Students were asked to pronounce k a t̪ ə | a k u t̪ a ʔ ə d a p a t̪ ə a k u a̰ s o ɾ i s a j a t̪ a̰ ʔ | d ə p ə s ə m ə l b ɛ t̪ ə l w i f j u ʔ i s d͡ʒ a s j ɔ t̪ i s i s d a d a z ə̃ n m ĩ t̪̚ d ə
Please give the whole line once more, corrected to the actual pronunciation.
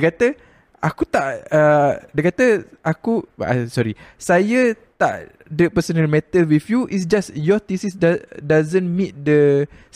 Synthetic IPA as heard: k a t̪ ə | a k u t̪ a ʔ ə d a k a t̪ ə a k u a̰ s ɔ ɾ i s a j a t̪ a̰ ʔ | d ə p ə s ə n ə l m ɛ t̪ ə l w i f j u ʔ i s d͡ʒ a s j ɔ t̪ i s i s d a d a z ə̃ n m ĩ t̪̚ d ə